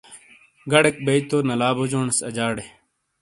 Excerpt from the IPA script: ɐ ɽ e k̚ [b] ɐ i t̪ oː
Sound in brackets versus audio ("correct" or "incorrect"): correct